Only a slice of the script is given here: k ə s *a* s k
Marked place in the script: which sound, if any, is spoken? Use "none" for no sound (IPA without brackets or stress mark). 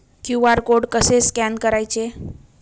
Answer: e